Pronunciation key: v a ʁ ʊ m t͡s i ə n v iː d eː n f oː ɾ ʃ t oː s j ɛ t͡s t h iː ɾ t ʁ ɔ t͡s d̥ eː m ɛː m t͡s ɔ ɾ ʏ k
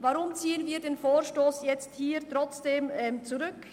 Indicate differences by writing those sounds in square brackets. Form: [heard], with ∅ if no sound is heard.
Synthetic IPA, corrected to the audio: v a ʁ ʊ m t͡s [iː] ə n v iː d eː n f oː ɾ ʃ t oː s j ɛ t͡s t h iː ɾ t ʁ ɔ t͡s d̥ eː m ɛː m t͡s [u] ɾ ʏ k

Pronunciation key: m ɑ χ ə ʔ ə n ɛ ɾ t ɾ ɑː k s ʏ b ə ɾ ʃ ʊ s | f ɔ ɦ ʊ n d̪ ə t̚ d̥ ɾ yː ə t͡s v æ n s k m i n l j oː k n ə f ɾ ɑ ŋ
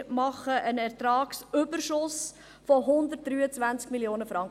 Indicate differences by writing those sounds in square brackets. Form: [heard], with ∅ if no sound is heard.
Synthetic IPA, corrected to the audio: m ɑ χ ə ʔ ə n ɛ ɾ t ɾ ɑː k s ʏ b ə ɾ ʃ ʊ s | f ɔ ɦ ʊ n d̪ ə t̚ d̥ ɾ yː ə t͡s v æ n [t͡s] k m i [∅] l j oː [∅] n ə f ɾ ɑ ŋ

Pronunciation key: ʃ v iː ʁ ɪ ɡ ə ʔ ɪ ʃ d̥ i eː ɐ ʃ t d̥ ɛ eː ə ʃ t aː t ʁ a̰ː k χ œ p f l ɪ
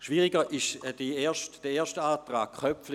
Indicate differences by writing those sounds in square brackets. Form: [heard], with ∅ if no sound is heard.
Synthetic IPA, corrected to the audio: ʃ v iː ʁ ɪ ɡ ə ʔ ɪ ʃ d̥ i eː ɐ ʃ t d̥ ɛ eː [ɐ] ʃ t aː t ʁ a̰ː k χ œ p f l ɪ

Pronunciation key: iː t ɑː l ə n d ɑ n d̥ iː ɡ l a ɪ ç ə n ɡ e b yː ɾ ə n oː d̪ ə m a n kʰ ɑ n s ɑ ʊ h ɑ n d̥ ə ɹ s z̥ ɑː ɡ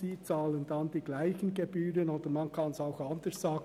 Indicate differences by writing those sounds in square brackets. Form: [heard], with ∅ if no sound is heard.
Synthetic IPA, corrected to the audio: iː [t͡s] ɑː l ə n d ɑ n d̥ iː ɡ l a ɪ ç ə n ɡ e b yː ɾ ə n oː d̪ ə m [ɑ] n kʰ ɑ n s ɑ ʊ [x] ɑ n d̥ ə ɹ s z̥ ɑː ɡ

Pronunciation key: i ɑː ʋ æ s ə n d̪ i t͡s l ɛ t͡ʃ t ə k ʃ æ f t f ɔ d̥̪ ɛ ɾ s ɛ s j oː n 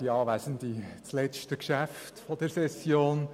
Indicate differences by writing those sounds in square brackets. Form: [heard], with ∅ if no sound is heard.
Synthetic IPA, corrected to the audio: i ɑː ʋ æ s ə n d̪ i t͡s l ɛ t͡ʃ t ə k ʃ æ f t f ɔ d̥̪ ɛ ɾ s ɛ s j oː n

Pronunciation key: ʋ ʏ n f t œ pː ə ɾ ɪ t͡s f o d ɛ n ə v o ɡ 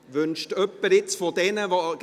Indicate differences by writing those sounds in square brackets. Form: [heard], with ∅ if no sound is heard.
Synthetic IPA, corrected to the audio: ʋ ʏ n [ʃ] t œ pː ə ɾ ɪ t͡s f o d ɛ n ə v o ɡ

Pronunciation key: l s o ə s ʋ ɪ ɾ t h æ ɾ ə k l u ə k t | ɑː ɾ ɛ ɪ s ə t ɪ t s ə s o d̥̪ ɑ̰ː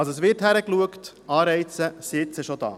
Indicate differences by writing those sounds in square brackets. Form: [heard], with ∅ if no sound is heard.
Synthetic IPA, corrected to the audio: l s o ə s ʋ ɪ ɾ t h æ ɾ ə k l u ə k t | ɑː ɾ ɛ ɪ [t͡s] ə [s] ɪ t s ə [ʃ] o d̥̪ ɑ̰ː

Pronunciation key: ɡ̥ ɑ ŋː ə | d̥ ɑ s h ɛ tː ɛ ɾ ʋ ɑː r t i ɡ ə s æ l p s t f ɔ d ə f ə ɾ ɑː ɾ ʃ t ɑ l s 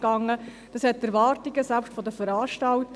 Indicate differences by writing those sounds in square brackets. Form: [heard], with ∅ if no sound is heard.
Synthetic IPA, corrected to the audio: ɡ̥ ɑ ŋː ə | d̥ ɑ s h ɛ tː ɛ ɾ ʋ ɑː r t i ɡ ə s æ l p [ʃ] t f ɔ d ə f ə ɾ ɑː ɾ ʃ t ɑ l [t]

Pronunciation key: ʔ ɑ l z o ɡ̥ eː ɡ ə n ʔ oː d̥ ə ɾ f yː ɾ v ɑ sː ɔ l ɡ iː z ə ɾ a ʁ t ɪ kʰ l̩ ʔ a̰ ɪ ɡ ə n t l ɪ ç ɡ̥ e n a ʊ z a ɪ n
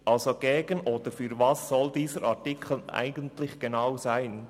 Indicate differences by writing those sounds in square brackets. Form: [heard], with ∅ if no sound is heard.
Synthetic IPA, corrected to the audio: ʔ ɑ l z o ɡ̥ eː ɡ ə n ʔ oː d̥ ə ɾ f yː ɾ v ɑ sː ɔ l [d] iː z ə ɾ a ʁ t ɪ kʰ l̩ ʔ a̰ ɪ ɡ ə n t l ɪ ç ɡ̥ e n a ʊ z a ɪ n

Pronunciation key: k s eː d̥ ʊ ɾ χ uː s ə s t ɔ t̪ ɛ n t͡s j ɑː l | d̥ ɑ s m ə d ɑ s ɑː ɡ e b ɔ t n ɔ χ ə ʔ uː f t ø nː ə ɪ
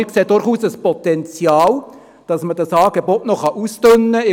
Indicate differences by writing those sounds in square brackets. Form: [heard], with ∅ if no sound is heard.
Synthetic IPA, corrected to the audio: k s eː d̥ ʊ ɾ χ uː s ə s [p] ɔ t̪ ɛ n t͡s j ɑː l | d̥ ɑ s m ə d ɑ s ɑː ɡ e b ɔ t n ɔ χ [ɑ] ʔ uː [s] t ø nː ə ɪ

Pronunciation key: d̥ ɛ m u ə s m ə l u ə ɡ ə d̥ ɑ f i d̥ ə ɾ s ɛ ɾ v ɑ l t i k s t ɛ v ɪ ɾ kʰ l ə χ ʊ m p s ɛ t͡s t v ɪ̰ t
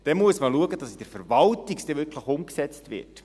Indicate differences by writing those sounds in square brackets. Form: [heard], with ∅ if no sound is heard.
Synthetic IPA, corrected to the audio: d̥ ɛ m u ə s m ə l u ə ɡ ə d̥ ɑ [s] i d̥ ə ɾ [f] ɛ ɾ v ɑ l t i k s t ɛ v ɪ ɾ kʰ l ə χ ʊ m [k] s ɛ t͡s t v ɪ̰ t

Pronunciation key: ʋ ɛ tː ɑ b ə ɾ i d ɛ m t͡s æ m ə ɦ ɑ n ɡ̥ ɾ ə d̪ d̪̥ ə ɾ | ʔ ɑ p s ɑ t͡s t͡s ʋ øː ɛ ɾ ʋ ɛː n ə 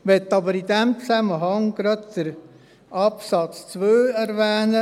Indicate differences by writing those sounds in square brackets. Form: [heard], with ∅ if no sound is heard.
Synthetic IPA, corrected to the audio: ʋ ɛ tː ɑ b ə ɾ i d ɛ m t͡s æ m ə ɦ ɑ [ŋ] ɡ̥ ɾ [ɑ] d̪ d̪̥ ə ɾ | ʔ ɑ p s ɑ t͡s t͡s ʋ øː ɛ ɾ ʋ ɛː n ə

